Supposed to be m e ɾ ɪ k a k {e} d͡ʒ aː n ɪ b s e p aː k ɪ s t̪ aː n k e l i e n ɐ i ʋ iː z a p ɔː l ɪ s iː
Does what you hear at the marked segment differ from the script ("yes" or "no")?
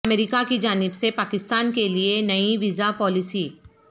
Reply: yes